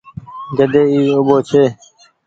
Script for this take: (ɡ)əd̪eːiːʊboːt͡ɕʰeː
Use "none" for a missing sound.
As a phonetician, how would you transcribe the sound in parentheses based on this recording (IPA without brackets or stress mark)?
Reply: ɡ